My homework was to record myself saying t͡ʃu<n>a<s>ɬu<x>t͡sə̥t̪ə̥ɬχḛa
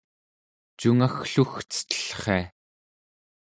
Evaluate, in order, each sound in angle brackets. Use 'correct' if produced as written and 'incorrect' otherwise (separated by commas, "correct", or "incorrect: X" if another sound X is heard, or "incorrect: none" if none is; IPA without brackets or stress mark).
incorrect: ŋ, incorrect: x, correct